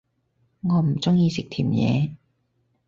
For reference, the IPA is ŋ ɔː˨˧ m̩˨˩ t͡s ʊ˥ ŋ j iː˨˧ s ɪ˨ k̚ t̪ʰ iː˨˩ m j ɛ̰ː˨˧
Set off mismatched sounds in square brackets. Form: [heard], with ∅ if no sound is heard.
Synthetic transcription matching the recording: ŋ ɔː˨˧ m̩˨˩ t͡s ʊ˥ ŋ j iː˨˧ s ɪ˨ k̚ t̪ʰ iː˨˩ m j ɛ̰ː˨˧